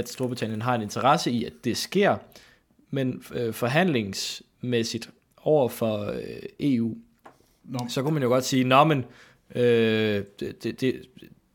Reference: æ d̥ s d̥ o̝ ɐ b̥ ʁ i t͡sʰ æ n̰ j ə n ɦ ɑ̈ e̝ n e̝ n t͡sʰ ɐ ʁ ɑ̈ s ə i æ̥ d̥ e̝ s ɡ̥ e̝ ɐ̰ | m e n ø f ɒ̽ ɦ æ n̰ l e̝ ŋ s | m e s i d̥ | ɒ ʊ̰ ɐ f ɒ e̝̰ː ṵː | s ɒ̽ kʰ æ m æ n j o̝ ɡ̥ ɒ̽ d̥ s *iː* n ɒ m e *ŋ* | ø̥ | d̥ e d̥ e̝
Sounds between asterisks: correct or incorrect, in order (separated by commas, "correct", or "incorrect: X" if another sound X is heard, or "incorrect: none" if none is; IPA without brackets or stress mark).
correct, incorrect: n